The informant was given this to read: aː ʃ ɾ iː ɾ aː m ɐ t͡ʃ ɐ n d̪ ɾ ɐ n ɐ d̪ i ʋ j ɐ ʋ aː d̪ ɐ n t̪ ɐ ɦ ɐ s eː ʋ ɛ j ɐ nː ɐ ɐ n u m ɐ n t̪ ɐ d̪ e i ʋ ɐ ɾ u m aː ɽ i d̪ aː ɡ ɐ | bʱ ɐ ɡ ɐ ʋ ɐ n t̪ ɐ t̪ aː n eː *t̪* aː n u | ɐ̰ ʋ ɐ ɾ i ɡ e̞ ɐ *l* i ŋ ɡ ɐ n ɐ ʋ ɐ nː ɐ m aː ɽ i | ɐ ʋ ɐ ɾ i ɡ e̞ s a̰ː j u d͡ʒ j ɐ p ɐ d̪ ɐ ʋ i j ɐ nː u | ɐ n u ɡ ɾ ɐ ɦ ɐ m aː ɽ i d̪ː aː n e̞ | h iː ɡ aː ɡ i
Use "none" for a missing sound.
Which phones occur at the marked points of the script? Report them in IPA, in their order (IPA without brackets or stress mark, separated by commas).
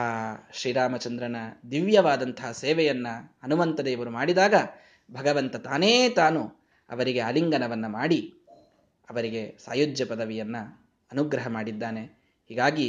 t̪, l